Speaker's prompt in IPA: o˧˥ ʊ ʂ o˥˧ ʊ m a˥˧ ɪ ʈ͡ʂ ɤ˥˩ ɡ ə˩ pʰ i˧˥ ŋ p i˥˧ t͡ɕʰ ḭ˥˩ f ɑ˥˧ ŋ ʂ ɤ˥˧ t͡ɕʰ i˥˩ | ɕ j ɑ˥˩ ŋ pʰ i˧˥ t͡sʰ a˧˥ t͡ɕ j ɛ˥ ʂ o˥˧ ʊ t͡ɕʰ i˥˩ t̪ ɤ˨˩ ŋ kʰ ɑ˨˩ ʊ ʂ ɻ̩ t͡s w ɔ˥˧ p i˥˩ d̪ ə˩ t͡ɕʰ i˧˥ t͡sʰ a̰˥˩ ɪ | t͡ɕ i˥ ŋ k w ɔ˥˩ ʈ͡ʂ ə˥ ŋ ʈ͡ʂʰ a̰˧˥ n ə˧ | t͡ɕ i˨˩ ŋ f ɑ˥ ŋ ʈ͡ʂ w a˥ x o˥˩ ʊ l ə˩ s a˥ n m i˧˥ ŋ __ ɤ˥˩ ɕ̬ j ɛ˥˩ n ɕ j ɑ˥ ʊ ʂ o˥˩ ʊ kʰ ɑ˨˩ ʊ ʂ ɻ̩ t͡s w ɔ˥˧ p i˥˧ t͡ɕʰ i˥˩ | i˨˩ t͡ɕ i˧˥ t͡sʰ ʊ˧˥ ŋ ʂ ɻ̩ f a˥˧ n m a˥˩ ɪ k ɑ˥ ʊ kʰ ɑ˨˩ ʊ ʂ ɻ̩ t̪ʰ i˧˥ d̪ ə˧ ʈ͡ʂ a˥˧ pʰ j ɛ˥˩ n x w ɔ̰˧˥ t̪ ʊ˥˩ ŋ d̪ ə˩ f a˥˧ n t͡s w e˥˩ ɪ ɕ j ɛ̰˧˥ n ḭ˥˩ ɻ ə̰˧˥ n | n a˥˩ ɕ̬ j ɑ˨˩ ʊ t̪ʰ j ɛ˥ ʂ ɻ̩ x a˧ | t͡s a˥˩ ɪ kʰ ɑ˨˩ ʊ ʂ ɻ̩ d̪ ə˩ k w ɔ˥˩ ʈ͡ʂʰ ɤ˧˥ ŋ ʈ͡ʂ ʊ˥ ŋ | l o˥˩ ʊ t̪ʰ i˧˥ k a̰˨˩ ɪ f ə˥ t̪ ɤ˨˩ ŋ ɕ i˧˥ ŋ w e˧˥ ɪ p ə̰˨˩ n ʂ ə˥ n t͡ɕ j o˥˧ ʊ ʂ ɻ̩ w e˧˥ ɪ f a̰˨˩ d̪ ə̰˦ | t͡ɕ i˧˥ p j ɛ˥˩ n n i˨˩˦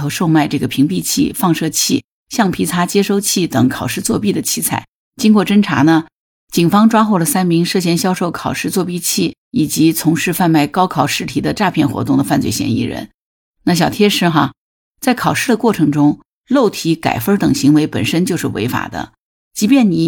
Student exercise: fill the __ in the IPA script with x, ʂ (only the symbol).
ʂ